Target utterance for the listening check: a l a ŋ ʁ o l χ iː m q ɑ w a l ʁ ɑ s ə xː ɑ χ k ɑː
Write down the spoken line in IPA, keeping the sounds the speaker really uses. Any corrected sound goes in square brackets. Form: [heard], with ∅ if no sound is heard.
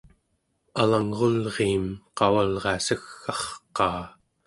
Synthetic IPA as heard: a l a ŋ ʁ o l [ʁ] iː m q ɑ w a l ʁ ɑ s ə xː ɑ χ [q] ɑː